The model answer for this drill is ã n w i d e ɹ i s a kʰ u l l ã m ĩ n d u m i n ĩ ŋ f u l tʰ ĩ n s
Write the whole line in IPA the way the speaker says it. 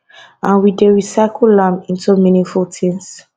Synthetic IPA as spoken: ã n w i d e ɹ i s a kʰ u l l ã m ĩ n t u m i n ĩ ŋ f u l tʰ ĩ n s